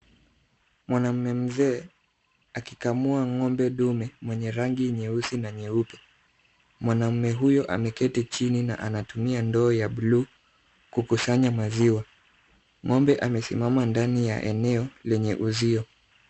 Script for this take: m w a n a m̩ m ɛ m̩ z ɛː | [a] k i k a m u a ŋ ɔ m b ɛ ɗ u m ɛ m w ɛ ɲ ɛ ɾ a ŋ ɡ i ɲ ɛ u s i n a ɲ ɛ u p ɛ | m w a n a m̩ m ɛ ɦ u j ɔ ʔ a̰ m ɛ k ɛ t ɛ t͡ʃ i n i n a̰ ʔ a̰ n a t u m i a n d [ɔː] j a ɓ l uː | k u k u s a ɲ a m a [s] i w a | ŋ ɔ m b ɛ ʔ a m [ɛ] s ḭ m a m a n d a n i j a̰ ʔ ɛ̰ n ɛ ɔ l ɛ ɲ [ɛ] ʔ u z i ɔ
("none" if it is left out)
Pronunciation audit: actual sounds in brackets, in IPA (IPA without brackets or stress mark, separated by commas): a, ɔː, z, ɛ, ɛ